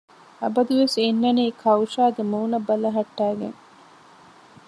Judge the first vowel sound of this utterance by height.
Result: low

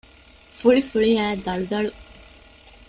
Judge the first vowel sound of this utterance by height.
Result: high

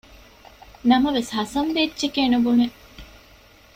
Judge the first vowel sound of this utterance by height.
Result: low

